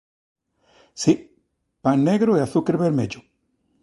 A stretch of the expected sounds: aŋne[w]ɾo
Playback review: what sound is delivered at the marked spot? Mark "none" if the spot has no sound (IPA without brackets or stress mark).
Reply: ɣ